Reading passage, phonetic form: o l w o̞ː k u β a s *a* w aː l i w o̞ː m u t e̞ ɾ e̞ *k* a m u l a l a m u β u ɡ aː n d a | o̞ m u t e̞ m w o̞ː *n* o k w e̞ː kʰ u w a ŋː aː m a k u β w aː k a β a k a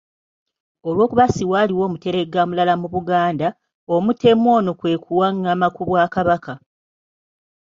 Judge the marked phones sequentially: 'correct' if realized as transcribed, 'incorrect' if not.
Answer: incorrect: i, incorrect: ɡ, correct

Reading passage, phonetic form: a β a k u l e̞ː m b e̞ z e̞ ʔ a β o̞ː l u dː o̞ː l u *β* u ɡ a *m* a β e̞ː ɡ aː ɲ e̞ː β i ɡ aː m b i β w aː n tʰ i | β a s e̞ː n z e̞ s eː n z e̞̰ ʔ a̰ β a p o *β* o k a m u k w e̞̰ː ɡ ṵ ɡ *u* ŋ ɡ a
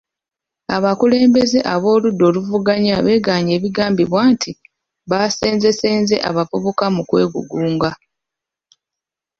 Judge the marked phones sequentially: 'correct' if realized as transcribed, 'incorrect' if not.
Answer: incorrect: v, incorrect: ɲ, correct, incorrect: uː

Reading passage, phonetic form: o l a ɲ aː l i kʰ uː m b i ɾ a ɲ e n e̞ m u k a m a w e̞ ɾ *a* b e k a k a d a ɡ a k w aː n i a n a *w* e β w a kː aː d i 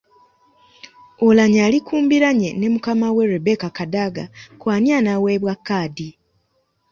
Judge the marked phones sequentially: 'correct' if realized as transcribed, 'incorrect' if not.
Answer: incorrect: e, correct

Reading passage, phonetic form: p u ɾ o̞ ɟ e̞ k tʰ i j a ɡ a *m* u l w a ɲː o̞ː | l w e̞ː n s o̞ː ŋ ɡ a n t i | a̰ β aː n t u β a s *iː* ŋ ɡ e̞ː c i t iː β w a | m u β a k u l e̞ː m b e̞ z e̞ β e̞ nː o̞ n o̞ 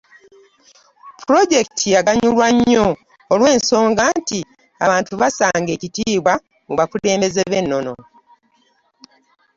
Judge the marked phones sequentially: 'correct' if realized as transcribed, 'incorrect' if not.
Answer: incorrect: ɲ, incorrect: aː

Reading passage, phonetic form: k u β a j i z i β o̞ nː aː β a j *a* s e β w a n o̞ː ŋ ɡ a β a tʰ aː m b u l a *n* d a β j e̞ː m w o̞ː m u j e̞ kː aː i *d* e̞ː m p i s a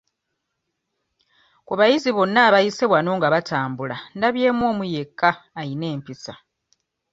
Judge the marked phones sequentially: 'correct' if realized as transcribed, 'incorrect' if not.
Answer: incorrect: i, correct, incorrect: n

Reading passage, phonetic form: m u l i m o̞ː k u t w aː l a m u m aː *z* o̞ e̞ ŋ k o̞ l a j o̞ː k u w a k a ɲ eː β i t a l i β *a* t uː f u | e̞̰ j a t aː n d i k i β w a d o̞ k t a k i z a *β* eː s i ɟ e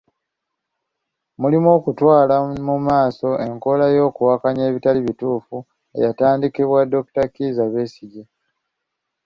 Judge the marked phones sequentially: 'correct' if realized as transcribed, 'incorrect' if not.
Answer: incorrect: s, incorrect: i, correct

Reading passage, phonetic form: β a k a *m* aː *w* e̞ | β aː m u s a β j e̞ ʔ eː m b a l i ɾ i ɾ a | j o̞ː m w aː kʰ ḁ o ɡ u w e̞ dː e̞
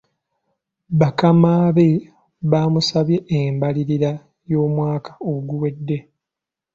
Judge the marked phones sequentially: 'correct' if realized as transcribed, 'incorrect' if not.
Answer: correct, incorrect: β

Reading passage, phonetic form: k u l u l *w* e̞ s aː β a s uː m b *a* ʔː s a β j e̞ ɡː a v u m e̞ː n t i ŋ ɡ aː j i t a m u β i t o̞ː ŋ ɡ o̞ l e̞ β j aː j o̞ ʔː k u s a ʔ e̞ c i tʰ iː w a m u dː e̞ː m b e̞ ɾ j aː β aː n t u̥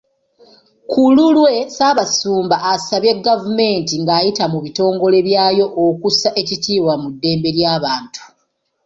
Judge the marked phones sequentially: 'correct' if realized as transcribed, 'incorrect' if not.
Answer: correct, correct

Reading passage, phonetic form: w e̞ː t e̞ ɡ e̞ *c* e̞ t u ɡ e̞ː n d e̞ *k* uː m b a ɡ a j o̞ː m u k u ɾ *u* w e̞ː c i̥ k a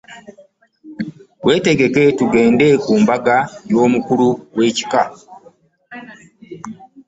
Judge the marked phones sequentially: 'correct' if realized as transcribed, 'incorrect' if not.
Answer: incorrect: k, correct, correct

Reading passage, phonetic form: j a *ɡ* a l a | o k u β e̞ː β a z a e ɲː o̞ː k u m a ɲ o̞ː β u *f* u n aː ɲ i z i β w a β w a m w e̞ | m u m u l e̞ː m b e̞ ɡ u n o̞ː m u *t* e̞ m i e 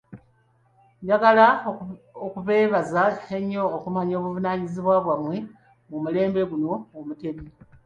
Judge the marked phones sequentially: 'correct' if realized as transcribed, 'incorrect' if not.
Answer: correct, incorrect: v, correct

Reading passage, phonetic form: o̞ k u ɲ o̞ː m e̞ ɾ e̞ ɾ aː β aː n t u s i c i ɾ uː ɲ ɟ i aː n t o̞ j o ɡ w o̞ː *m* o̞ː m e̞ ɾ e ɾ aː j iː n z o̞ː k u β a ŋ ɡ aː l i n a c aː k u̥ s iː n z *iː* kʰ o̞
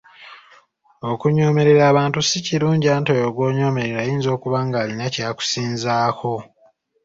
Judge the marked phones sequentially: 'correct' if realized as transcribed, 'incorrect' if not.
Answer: incorrect: ɲ, incorrect: aː

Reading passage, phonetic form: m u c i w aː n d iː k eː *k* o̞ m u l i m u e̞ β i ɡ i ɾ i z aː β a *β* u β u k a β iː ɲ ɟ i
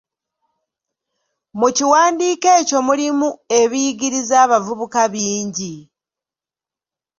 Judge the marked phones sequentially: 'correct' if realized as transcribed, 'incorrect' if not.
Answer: incorrect: c, incorrect: v

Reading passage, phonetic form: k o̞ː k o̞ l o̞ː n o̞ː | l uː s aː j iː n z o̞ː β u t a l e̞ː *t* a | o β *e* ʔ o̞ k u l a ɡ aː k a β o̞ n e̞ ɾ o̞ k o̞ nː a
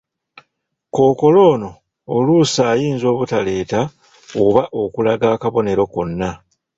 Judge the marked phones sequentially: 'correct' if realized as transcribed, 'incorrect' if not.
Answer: correct, incorrect: a

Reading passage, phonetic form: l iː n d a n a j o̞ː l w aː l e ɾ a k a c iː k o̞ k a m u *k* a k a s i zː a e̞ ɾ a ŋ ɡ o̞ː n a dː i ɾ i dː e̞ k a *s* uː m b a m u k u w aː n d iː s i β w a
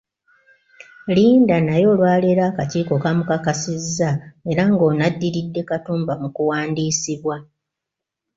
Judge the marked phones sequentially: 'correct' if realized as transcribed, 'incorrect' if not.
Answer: correct, incorrect: t

